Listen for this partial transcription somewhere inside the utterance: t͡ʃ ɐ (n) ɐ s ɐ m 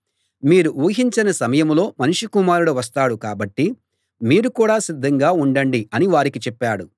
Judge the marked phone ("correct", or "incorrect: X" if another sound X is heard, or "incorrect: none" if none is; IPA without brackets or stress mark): correct